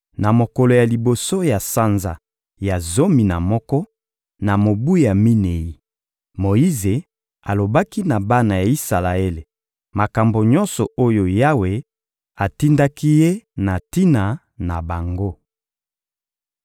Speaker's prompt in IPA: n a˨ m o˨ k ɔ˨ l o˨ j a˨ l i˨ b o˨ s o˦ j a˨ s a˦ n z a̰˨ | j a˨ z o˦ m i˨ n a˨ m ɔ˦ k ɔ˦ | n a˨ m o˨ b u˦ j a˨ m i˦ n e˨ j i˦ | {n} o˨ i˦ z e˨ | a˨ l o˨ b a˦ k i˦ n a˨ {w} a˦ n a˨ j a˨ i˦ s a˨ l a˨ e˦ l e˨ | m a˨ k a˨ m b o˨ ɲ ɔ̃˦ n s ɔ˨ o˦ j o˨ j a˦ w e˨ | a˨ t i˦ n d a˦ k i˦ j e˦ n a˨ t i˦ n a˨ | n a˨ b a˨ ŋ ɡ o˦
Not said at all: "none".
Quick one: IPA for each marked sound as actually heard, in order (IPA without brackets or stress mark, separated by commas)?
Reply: m, b